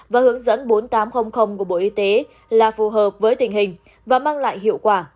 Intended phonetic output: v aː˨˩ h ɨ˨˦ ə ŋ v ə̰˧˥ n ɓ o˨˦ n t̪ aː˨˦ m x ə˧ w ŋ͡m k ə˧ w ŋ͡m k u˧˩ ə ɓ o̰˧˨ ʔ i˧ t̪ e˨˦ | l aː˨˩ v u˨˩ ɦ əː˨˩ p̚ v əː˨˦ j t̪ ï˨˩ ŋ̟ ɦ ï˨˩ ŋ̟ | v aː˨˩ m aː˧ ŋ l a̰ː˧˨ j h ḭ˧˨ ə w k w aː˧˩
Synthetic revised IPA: v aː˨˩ h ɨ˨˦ ə ŋ z ə̰˧˥ n ɓ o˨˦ n t̪ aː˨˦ m x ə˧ w ŋ͡m x ə˧ w ŋ͡m k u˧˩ ə ɓ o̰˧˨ ʔ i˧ t̪ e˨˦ | l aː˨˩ f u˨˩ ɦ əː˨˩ p̚ v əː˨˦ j t̪ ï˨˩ ŋ̟ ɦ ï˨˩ ŋ̟ | v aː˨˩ m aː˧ ŋ l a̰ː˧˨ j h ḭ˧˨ ə w k w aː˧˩